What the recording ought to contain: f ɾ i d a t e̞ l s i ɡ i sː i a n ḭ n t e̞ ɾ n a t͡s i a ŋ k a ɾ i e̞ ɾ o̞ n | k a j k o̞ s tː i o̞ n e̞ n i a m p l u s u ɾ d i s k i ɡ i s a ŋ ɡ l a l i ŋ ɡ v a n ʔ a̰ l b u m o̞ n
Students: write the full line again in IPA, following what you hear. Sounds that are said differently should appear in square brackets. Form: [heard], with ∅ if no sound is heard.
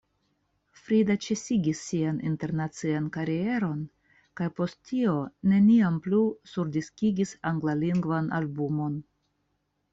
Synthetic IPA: f ɾ i d a [t͡ʃ] e̞ [∅] s i ɡ i sː i a n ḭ n t e̞ ɾ n a t͡s i a [n] k a ɾ i e̞ ɾ o̞ n | k a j [p] o̞ s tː i o̞ n e̞ n i a m p l u s u ɾ d i s k i ɡ i s a ŋ ɡ l a l i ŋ ɡ v a n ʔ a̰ l b u m o̞ n